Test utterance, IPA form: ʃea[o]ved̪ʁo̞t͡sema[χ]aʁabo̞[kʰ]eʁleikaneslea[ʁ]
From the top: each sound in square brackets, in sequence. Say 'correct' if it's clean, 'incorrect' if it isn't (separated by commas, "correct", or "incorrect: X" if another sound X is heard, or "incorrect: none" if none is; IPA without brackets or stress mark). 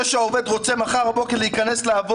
correct, correct, incorrect: k, incorrect: v